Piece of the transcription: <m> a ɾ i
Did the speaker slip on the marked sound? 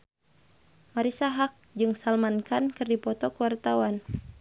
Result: no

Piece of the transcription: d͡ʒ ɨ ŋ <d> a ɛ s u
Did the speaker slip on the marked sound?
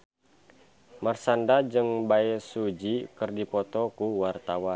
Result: yes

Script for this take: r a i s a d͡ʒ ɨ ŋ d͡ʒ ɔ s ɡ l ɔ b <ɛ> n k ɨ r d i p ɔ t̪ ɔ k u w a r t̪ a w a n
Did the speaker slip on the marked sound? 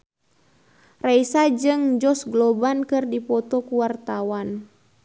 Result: yes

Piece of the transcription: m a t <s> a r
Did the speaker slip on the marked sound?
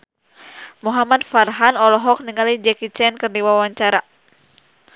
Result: yes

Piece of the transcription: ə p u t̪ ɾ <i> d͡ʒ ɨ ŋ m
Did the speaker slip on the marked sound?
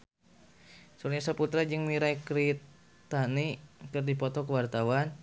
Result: yes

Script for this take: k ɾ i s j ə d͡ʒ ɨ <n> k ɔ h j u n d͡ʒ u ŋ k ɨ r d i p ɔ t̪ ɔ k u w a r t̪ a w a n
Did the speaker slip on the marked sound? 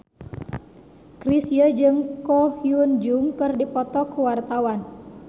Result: yes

